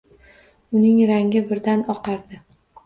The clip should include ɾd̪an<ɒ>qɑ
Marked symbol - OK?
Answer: yes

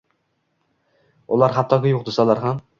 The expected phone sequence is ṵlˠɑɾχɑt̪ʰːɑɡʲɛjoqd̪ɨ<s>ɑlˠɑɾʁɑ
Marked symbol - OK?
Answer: yes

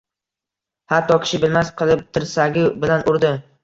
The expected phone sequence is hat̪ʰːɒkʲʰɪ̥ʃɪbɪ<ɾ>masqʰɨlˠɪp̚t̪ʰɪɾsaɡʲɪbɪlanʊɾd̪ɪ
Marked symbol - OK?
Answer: no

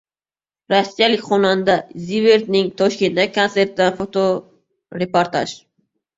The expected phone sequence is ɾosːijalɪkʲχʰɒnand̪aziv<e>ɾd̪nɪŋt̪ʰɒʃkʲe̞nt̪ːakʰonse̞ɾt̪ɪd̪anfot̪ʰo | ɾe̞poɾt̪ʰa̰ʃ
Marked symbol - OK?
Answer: yes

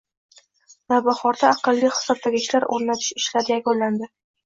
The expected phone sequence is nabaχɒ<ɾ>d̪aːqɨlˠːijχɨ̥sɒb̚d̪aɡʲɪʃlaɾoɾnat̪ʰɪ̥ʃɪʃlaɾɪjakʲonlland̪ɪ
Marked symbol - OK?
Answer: yes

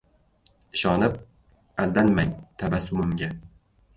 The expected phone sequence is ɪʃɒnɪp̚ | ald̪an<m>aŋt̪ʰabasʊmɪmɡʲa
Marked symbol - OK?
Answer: yes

